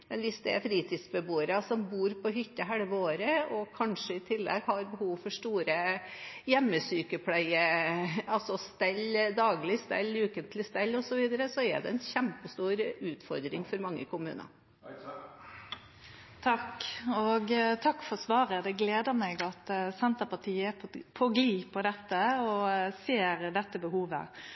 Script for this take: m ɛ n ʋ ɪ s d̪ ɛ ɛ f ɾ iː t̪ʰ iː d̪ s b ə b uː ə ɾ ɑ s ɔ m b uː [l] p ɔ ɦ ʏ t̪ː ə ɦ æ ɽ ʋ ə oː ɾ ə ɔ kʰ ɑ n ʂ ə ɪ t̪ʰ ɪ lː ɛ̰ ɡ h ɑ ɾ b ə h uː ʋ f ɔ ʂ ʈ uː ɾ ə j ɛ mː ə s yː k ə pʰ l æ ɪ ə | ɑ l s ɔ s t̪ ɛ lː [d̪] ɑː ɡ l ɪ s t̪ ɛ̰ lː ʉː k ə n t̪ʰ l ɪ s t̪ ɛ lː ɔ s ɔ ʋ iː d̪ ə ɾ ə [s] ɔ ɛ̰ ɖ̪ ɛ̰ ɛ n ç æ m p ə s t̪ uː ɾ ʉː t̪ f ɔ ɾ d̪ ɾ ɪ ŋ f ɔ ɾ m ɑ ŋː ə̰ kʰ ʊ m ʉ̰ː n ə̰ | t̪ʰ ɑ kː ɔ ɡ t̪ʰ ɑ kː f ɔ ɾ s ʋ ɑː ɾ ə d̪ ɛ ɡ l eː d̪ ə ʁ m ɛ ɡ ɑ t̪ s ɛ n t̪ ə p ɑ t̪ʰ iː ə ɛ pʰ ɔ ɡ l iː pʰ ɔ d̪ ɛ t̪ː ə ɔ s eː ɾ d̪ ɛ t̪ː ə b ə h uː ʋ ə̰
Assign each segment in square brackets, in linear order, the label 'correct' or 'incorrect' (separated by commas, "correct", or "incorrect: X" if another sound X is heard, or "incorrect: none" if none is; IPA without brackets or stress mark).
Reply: incorrect: ɾ, correct, correct